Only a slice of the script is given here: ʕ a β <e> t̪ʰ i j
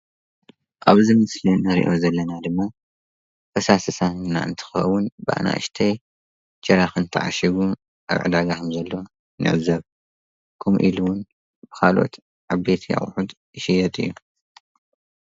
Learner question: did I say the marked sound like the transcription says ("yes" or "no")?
yes